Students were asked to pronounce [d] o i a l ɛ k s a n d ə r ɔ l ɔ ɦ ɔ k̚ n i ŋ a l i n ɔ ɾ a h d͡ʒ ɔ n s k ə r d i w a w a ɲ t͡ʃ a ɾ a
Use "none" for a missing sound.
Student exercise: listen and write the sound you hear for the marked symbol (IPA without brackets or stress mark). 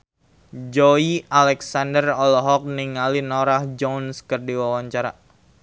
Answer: d͡ʒ